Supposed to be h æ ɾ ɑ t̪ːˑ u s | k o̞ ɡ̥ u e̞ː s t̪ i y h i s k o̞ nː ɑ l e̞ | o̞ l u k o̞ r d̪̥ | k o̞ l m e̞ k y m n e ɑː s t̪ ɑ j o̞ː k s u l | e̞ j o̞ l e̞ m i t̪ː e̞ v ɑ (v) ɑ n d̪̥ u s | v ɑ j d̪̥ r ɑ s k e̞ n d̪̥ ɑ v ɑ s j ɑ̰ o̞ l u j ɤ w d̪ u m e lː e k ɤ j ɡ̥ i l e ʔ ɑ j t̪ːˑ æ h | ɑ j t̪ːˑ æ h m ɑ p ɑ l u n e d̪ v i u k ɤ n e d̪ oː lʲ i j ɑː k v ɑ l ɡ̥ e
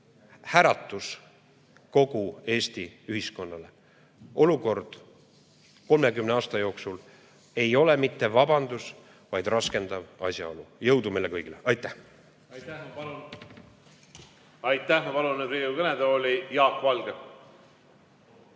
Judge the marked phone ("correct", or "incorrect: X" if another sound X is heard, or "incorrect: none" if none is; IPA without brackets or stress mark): incorrect: b